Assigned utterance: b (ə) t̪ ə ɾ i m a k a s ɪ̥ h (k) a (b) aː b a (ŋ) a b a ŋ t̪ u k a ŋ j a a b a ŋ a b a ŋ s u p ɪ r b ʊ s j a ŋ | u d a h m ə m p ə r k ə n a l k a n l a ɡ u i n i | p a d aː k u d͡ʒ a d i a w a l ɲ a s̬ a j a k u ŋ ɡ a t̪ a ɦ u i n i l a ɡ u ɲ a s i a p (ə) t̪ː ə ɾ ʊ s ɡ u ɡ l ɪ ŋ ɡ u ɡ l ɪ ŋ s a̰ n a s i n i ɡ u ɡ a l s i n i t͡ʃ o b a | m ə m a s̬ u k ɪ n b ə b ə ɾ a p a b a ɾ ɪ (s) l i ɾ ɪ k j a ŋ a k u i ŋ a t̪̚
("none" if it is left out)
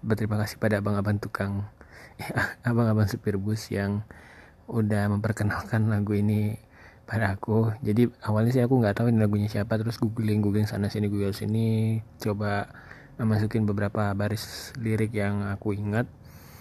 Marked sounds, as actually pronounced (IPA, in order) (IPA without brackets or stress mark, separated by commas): ə, p, d, ŋ, a, s